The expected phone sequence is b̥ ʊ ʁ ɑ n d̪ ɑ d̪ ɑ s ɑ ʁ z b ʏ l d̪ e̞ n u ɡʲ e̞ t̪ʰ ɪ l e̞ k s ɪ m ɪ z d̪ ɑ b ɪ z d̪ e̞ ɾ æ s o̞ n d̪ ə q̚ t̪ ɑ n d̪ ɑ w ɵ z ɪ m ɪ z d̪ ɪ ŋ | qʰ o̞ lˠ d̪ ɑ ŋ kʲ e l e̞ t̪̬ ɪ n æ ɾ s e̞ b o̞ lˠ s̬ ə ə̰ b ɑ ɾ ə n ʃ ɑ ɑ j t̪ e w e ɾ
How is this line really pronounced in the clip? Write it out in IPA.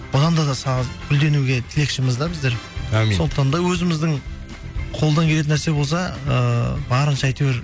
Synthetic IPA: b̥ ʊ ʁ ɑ n d̪ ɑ d̪ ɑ s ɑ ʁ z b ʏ l d̪ e̞ n u ɡʲ e̞ t̪ʰ ɪ l e̞ k ʃ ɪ m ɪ z d̪ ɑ b ɪ z d̪ e̞ ɾ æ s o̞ n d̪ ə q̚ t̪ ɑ n d̪ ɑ w ɵ z ɪ m ɪ z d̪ ɪ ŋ | qʰ o̞ lˠ d̪ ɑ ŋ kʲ e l e̞ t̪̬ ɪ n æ ɾ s e̞ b o̞ lˠ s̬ ɑ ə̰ b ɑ ɾ ə n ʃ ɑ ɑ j t̪ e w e ɾ